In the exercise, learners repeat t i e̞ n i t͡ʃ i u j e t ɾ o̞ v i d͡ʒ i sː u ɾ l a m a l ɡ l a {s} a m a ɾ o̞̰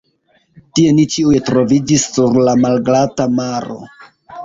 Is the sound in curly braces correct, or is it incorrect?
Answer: incorrect